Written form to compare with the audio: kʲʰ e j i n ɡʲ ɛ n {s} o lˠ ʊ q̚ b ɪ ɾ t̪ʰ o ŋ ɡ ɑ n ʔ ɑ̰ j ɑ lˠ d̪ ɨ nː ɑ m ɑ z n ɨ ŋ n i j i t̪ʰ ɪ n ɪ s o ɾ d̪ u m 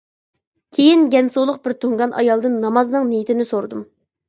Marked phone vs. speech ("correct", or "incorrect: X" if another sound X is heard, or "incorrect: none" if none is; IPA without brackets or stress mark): correct